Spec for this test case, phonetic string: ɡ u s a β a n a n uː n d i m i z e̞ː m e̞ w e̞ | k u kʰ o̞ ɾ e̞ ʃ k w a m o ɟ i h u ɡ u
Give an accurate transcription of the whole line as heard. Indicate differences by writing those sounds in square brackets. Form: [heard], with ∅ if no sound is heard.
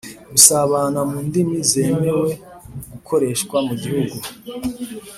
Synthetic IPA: ɡ u s a β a n a [m] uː n d i m i z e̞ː m e̞ w e̞ | [ɡ] u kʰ o̞ ɾ e̞ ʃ k w a m [u] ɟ i h u ɡ u